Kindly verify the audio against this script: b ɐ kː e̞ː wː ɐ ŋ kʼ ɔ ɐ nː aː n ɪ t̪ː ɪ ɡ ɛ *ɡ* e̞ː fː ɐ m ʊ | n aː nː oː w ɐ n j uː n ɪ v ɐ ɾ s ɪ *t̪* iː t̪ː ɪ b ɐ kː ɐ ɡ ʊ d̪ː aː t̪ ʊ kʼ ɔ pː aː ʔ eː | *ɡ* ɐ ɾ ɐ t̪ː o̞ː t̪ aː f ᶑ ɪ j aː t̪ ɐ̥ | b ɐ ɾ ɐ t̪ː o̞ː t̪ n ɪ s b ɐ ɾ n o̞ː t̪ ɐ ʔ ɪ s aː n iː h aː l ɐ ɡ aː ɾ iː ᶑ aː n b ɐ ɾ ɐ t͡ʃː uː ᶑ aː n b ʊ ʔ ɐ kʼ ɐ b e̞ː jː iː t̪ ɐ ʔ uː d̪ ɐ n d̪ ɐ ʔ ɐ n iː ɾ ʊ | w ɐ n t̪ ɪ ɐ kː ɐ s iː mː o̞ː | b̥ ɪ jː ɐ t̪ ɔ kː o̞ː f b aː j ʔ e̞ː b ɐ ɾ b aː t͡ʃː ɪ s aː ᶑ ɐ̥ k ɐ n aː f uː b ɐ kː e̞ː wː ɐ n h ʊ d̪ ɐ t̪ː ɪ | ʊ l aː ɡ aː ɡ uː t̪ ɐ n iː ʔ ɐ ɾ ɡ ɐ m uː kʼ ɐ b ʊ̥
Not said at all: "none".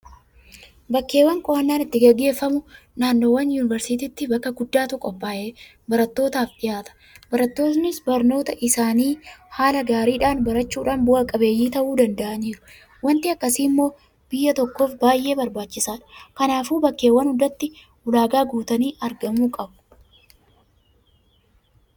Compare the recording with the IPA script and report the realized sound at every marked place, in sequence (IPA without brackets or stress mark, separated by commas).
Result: ɡː, t̪, b